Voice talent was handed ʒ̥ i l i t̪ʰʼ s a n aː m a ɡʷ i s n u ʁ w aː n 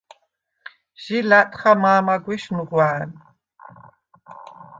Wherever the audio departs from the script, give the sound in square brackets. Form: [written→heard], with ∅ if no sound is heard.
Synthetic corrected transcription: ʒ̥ i l [i→a] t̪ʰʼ [s→χ] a [n→m] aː m a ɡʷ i [s→ʃ] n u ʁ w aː n